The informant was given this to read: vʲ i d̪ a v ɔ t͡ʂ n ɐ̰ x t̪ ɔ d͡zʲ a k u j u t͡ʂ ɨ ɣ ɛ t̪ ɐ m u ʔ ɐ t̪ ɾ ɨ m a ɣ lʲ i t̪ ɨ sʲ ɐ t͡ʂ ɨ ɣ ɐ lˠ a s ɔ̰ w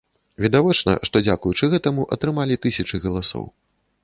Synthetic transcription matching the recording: vʲ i d̪ a v ɔ t͡ʂ n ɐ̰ ʂ t̪ ɔ d͡zʲ a k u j u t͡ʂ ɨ ɣ ɛ t̪ ɐ m u ʔ ɐ t̪ ɾ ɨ m a lʲ i t̪ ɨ sʲ ɐ t͡ʂ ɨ ɣ ɐ lˠ a s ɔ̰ w